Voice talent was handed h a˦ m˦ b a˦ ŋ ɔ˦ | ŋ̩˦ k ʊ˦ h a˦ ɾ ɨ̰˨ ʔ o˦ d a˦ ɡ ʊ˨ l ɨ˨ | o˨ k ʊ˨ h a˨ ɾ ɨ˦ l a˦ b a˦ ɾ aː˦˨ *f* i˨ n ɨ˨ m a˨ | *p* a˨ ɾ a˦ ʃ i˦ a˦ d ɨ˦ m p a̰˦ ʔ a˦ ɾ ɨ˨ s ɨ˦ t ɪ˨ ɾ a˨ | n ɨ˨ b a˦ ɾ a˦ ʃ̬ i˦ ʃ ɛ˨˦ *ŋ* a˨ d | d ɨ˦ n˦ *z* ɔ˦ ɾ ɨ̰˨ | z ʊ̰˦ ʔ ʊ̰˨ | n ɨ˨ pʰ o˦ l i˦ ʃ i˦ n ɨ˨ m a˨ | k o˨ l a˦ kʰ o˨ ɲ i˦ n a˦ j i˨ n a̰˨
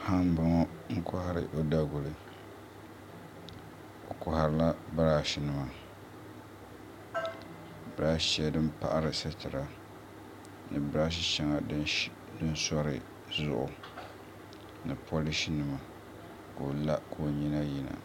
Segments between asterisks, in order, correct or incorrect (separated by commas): incorrect, incorrect, correct, incorrect